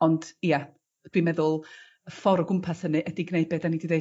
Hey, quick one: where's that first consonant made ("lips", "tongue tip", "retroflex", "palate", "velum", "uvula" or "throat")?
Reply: tongue tip